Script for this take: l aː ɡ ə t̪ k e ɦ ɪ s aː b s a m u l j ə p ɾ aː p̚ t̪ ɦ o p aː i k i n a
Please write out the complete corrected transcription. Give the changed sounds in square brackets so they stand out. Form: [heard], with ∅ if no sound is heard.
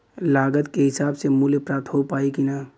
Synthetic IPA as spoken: l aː ɡ ə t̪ k e ɦ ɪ s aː b s [e] m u l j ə p ɾ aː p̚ t̪ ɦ o p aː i k i n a